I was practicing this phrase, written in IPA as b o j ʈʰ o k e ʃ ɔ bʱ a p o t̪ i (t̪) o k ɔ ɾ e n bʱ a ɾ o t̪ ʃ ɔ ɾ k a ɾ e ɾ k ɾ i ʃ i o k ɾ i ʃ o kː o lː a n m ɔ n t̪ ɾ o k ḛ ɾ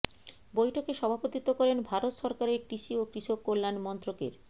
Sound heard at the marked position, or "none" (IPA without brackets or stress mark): t̪